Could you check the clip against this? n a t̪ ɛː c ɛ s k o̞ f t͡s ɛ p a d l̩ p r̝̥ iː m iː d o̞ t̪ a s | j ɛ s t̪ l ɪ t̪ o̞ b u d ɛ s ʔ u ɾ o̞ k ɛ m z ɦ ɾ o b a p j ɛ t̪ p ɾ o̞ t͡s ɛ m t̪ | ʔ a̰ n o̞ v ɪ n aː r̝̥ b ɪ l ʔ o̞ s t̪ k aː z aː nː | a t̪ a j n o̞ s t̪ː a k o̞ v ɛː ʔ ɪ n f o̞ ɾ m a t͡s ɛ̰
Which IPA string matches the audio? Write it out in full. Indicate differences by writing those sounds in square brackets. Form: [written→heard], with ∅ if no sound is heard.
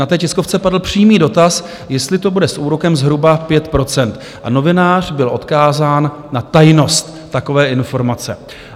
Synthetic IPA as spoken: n a t̪ ɛː c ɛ s k o̞ f t͡s ɛ p a d l̩ p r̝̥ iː m iː d o̞ t̪ a s | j ɛ s t̪ l ɪ t̪ o̞ b u d ɛ s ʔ [u→uː] ɾ o̞ k ɛ m z ɦ ɾ [o→u] b a p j ɛ t̪ p ɾ o̞ t͡s ɛ [m→n] t̪ | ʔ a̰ n o̞ v ɪ n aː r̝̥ b ɪ l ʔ o̞ [s→∅] t̪ k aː z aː nː | a t̪ a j n o̞ s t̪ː a k o̞ v ɛː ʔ ɪ n f o̞ ɾ m a t͡s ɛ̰